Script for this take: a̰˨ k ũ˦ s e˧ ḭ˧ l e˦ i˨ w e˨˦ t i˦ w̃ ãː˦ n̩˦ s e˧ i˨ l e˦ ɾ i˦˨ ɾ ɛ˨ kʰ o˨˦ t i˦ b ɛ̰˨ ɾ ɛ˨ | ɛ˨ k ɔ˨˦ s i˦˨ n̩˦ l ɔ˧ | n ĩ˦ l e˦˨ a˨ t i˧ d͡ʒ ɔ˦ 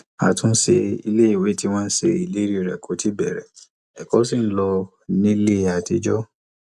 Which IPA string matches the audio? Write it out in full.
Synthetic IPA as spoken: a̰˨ t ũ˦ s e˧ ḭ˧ l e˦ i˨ w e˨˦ t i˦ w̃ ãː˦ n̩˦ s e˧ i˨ l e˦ ɾ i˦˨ ɾ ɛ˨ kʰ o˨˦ t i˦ b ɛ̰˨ ɾ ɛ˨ | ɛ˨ k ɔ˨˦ s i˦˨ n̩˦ l ɔ˧ | n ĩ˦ l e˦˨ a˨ t i˧ d͡ʒ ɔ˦

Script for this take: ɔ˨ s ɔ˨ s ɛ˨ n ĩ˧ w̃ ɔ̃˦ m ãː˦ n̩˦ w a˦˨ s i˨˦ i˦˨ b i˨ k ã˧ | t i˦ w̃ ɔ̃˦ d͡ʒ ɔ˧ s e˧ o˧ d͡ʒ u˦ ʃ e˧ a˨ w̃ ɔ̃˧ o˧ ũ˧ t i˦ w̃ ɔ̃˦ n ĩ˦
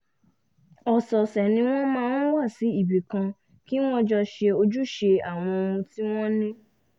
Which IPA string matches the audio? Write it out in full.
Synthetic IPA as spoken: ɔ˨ s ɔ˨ s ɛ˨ n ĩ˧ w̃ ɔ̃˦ m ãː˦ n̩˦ w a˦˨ s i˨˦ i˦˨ b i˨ k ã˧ | k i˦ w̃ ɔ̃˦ d͡ʒ ɔ˧ ʃ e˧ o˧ d͡ʒ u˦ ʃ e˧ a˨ w̃ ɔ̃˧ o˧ ũ˧ t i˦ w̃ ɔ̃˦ n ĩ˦

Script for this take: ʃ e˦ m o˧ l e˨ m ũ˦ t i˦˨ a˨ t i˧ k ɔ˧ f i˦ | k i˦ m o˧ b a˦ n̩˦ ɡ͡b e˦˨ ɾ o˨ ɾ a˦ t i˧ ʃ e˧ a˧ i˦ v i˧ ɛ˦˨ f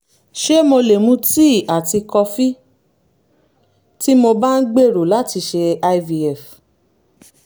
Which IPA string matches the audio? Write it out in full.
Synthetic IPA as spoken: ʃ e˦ m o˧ l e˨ m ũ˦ t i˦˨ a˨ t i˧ k ɔ˧ f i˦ | t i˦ m o˧ b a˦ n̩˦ ɡ͡b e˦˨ ɾ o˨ l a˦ t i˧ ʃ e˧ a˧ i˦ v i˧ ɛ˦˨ f

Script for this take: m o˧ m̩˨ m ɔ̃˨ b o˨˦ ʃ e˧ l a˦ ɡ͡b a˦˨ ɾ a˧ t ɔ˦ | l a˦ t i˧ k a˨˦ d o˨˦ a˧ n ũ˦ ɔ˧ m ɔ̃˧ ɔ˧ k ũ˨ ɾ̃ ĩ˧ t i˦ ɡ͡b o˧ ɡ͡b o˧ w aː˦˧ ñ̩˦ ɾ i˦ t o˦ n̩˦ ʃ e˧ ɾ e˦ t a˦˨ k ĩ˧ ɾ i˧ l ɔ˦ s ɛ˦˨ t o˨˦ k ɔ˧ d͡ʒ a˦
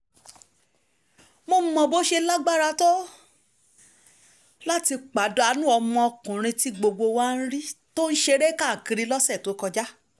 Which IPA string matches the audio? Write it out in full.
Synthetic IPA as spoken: m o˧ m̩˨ m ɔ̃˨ b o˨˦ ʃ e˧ l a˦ ɡ͡b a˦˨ ɾ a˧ t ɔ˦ | l a˦ t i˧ k͡p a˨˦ d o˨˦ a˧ n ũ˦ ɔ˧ m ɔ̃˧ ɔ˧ k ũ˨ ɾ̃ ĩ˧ t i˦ ɡ͡b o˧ ɡ͡b o˧ w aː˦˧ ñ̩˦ ɾ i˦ t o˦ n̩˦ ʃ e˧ ɾ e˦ k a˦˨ k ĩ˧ ɾ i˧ l ɔ˦ s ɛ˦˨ t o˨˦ k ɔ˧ d͡ʒ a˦

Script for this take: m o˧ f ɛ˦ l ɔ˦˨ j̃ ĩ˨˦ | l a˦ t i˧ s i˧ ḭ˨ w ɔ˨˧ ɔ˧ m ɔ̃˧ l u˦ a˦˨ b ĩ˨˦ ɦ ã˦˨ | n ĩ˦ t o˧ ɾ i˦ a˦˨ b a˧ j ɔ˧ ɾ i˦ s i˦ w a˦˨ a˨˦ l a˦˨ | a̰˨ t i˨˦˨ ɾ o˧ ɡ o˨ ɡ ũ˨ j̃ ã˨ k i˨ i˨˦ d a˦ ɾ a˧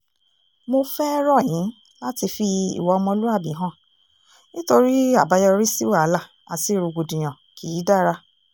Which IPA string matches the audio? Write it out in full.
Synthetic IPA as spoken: m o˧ f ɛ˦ ɾ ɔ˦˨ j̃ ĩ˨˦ | l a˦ t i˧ f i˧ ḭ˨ w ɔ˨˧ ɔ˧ m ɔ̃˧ l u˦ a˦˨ b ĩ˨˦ ɦ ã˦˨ | n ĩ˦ t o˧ ɾ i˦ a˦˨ b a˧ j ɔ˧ ɾ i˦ s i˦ w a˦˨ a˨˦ l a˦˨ | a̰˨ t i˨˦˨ ɾ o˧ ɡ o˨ d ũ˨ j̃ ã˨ k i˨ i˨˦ d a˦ ɾ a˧

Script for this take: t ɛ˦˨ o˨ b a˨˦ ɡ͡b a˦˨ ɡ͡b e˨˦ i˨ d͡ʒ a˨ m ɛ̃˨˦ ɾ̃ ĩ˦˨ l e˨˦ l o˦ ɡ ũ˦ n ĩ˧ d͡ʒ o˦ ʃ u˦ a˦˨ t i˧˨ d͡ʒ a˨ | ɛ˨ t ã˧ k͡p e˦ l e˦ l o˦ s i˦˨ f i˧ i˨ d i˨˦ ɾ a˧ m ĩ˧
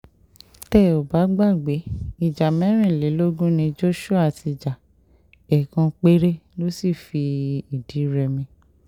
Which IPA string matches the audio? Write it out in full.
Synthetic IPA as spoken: t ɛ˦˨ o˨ b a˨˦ ɡ͡b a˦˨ ɡ͡b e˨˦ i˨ d͡ʒ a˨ m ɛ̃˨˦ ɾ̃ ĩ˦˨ l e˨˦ l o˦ ɡ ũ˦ n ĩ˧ d͡ʒ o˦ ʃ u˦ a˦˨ t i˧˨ d͡ʒ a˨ | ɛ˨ k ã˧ k͡p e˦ ɾ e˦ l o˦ s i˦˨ f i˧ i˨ d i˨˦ ɾ ɛ˧ m ĩ˧

